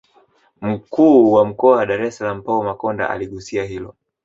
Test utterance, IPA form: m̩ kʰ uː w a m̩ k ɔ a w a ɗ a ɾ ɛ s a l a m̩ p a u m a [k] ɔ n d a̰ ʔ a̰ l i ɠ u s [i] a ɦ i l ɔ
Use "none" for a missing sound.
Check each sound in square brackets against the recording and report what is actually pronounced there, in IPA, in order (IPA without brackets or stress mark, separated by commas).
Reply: k, i